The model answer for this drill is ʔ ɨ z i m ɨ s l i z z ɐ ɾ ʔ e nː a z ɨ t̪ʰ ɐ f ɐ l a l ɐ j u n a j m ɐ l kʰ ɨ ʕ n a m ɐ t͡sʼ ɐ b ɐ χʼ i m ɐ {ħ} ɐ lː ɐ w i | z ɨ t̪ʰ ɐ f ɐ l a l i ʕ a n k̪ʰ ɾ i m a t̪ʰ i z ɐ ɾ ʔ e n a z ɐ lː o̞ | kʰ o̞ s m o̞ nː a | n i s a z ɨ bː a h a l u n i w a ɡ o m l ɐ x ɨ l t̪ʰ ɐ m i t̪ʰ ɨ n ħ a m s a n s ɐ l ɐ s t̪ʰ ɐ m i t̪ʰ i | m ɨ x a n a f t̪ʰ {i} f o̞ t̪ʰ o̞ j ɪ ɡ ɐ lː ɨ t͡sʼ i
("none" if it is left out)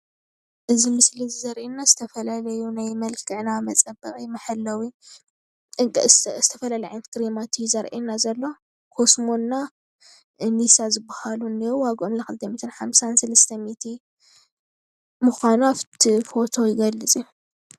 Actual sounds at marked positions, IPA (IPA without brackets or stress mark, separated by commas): ħ, i